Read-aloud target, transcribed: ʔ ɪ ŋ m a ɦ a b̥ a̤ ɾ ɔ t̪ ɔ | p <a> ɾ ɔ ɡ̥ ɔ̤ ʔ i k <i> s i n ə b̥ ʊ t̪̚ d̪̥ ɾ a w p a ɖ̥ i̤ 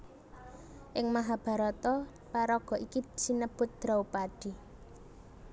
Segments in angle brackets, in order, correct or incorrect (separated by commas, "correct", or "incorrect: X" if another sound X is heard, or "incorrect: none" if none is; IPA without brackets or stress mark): correct, correct